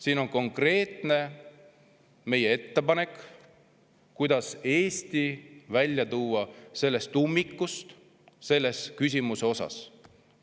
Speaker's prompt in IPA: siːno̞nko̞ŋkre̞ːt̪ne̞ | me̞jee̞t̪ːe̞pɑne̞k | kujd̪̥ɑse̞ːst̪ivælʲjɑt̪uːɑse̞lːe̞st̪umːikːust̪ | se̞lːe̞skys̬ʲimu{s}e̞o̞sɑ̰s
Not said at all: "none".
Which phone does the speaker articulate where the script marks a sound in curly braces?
s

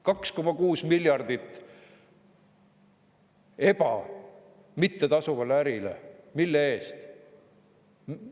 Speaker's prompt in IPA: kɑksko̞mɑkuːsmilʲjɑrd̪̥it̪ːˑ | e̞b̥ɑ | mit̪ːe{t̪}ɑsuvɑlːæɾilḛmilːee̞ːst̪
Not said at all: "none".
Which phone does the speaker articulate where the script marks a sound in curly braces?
t̪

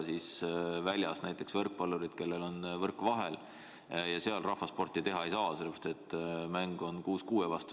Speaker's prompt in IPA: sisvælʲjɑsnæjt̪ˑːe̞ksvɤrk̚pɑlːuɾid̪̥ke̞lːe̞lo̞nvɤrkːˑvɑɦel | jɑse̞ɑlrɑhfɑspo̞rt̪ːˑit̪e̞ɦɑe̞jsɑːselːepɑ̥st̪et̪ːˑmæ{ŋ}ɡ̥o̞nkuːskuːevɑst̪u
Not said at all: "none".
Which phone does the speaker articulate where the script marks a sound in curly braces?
ŋ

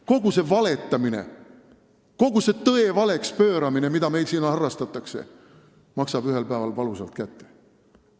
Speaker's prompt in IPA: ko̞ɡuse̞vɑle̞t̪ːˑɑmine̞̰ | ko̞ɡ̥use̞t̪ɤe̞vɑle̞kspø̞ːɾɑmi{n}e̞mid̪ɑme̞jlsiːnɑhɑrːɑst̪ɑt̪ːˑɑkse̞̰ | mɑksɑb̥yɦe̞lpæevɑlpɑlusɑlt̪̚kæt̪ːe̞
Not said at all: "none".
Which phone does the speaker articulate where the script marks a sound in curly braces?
n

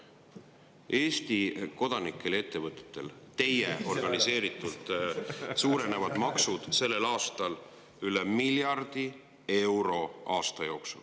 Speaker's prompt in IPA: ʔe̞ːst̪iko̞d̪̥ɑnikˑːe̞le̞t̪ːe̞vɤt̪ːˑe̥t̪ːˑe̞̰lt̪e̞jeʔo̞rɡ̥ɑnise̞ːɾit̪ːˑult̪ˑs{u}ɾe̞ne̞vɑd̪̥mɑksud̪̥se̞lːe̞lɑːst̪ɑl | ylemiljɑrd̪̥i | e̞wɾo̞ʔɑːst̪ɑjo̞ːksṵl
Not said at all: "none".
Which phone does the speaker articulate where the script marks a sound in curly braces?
uː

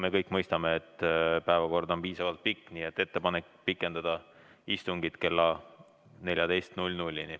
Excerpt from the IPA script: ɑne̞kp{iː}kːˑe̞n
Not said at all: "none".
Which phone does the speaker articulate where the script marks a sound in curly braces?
i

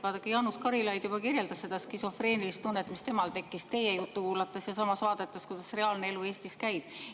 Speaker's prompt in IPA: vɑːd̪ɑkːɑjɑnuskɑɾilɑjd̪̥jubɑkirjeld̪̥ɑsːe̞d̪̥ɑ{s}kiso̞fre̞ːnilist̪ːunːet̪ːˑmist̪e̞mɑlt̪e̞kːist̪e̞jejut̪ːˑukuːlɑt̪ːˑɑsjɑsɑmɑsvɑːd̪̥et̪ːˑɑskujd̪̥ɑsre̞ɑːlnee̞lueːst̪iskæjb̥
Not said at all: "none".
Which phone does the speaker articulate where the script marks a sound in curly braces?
s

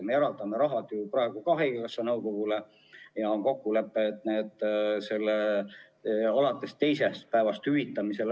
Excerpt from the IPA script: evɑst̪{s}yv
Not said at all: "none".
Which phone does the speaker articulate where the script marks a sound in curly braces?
h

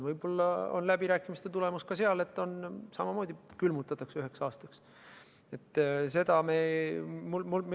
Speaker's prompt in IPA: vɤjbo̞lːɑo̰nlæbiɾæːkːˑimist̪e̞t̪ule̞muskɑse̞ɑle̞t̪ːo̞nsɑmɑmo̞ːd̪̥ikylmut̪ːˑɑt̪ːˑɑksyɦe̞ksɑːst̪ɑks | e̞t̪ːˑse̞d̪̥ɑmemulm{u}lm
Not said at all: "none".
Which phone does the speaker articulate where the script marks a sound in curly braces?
u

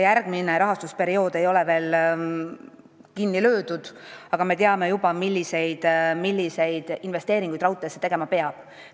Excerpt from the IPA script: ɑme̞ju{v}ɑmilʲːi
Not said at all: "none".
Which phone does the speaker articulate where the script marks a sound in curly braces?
b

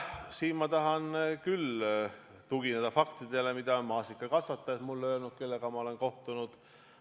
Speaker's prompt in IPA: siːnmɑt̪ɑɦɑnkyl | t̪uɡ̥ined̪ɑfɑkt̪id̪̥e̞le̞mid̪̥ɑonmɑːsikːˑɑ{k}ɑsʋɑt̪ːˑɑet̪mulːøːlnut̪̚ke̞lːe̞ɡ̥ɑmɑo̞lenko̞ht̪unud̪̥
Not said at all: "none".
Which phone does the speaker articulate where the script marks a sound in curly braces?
k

